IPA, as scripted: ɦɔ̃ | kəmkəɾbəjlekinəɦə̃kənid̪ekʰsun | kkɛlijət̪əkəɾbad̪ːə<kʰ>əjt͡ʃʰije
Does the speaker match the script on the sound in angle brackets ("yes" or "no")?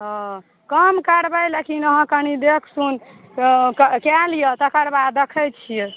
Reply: yes